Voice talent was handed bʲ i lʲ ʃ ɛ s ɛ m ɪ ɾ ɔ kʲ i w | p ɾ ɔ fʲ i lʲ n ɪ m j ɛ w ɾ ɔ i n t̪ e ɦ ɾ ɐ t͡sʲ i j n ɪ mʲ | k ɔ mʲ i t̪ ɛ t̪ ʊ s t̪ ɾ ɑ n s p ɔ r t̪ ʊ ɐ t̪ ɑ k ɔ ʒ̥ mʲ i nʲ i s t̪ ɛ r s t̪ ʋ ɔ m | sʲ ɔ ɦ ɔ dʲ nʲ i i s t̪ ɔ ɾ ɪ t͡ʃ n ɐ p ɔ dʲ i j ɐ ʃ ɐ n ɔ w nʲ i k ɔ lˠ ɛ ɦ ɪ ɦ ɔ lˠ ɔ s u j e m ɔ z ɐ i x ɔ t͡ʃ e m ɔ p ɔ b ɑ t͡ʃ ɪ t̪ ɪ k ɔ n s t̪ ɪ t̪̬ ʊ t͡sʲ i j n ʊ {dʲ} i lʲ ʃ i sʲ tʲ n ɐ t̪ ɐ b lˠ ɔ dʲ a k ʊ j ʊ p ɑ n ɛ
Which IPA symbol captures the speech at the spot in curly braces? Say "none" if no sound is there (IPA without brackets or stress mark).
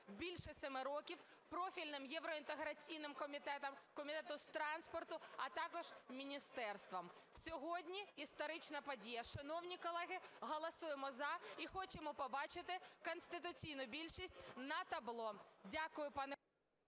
bʲ